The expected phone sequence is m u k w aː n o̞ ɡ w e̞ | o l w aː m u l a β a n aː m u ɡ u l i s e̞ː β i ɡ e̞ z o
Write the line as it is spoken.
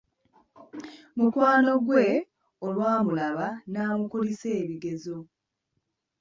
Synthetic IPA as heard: m u k w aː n o̞ ɡ w e̞ | o l w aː m u l a β a n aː m u k u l i s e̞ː β i ɡ e̞ z o